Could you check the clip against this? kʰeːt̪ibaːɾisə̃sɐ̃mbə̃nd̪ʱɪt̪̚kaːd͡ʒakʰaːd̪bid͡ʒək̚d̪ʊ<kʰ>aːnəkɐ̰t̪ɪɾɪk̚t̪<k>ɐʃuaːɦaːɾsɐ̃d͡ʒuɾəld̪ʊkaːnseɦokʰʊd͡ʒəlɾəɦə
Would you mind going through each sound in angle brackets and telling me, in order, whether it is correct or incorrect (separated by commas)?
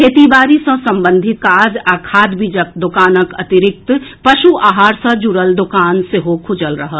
incorrect, incorrect